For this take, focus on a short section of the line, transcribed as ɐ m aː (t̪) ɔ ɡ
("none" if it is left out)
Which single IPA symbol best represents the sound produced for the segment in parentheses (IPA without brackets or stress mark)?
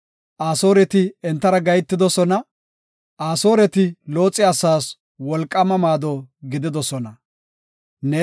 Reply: d̪